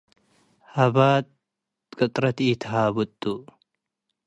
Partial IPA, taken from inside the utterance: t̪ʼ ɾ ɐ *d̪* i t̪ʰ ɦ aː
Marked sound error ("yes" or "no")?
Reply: yes